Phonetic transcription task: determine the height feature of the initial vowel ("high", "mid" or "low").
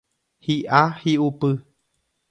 high